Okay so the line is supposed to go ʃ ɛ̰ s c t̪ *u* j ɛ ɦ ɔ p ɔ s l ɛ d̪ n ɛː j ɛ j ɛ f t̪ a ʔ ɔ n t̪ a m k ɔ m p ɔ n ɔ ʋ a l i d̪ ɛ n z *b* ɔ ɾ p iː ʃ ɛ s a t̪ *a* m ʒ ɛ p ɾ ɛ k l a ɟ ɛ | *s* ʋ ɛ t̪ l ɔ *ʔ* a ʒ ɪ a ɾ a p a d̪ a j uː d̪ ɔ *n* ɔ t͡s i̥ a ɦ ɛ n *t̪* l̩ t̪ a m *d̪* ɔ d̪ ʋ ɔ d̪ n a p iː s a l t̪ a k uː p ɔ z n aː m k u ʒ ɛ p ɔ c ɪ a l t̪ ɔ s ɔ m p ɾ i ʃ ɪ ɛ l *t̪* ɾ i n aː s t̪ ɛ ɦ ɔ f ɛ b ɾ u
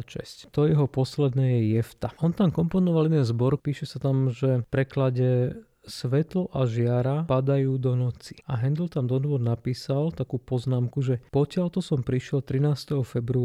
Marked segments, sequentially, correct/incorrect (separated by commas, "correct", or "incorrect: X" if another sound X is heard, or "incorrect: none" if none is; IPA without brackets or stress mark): incorrect: ɔ, correct, correct, correct, correct, correct, incorrect: d̪, correct, correct